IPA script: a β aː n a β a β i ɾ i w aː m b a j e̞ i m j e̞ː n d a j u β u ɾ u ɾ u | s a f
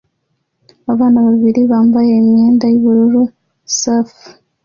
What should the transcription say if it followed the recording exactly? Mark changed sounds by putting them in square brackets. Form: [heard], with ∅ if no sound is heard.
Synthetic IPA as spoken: a β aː n a β a β i ɾ i [β] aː m b a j e̞ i m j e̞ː n d a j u β u ɾ u ɾ u | s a f